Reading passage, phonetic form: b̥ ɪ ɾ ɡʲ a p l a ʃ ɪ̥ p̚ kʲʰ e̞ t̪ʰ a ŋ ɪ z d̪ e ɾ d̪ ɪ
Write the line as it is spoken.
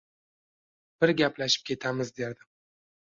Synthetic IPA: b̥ ɪ ɾ ɡʲ a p l a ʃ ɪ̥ p̚ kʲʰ e̞ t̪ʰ a m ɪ z d̪ e ɾ d̪ ɪ